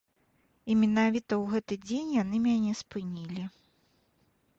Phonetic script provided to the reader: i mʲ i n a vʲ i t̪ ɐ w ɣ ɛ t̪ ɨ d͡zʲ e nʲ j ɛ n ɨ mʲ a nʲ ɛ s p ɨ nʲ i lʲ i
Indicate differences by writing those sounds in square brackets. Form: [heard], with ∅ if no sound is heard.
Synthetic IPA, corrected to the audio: i mʲ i n a vʲ i t̪ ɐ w ɣ ɛ t̪ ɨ d͡zʲ e nʲ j [a] n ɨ mʲ a nʲ ɛ s p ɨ nʲ i lʲ i